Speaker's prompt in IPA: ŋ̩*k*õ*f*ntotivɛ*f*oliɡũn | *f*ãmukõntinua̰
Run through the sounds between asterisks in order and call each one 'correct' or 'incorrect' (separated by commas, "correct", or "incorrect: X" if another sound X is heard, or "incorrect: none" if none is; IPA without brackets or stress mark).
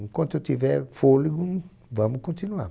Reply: correct, incorrect: none, correct, incorrect: v